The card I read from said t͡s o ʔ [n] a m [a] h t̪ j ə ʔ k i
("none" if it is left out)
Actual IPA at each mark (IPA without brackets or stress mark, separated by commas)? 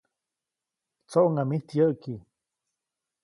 ŋ, i